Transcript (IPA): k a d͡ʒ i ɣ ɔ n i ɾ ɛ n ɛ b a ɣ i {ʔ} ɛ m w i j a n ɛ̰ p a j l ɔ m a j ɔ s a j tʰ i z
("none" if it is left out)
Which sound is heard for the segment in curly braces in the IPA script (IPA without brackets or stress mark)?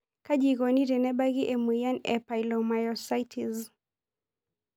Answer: ʔ